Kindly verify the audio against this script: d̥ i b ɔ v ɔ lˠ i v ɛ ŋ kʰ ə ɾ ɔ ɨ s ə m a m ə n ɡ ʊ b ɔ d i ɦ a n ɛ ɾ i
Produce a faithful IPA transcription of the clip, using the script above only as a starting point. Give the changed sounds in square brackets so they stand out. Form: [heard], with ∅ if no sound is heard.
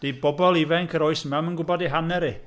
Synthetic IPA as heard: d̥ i b ɔ [b] ɔ lˠ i v ɛ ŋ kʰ ə ɾ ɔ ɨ s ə m a m ə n ɡ ʊ b ɔ d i ɦ a n ɛ ɾ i